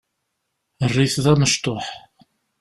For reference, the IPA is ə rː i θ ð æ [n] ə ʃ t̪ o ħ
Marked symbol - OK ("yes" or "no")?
no